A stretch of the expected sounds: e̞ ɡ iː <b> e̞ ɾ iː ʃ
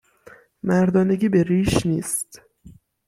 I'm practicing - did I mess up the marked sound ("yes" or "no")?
no